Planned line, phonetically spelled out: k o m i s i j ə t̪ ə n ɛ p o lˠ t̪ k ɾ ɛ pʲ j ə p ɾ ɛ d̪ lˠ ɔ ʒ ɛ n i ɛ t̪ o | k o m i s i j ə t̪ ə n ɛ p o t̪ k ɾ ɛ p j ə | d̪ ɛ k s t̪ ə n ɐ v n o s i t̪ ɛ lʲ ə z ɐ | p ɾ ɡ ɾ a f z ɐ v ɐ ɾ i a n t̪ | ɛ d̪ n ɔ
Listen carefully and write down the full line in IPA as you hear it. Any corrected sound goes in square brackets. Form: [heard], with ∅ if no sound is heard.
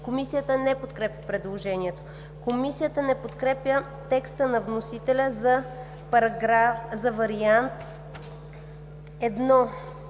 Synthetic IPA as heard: k o m i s i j ə t̪ ə n ɛ p o [∅] t̪ k ɾ ɛ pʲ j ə p ɾ ɛ d̪ lˠ [o] ʒ ɛ n i ɛ t̪ o | k o m i s i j ə t̪ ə n ɛ p o t̪ k ɾ ɛ p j ə | [t̪] ɛ k s t̪ ə n ɐ v n o s i t̪ ɛ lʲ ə z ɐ | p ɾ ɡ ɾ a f z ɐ v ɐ ɾ i a n t̪ | ɛ d̪ n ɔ